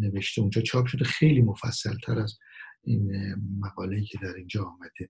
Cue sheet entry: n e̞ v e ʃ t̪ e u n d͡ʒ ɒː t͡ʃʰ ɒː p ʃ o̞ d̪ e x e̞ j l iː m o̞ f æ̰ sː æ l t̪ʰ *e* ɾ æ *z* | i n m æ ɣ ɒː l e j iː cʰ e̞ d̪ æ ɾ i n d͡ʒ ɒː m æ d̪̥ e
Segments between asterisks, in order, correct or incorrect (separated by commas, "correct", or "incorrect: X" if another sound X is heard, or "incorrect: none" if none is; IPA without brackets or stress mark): incorrect: æ, correct